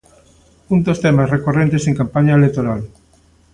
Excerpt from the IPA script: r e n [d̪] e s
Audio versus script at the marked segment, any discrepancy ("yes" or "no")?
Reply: yes